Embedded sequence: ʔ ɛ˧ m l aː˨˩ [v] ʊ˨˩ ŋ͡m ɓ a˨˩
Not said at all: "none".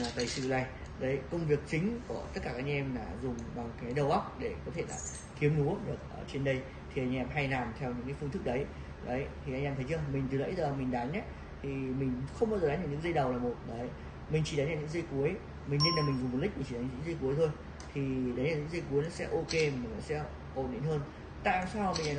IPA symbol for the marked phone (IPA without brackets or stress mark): z